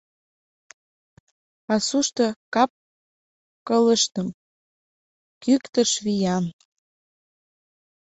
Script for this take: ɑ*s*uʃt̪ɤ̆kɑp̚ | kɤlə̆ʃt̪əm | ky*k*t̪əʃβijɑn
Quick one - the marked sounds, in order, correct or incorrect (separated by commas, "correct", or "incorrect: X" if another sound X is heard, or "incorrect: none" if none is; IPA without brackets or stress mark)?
correct, correct